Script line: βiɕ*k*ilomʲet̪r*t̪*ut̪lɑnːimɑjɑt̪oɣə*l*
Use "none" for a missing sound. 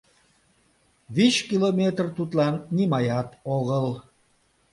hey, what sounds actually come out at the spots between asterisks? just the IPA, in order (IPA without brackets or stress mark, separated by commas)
k, t̪, l